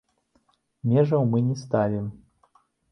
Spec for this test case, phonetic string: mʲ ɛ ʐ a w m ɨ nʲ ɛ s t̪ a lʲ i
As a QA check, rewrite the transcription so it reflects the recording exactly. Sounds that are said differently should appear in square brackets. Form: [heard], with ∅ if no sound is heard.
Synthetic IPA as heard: mʲ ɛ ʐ [ɐ] w m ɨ nʲ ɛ s t̪ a lʲ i